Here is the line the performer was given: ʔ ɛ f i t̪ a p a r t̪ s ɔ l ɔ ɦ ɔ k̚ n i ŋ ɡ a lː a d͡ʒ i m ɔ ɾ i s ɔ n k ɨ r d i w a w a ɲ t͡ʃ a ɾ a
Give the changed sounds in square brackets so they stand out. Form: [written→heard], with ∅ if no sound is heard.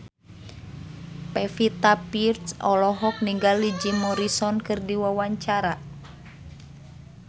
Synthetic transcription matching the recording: [ʔ→p] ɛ f i t̪ a p [a→i] r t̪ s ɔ l ɔ ɦ ɔ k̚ n i ŋ ɡ a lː [a→i] d͡ʒ i m ɔ ɾ i s ɔ n k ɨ r d i w a w a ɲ t͡ʃ a ɾ a